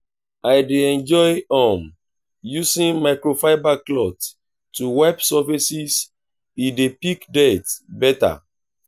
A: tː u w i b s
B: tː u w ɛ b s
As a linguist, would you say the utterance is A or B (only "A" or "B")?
B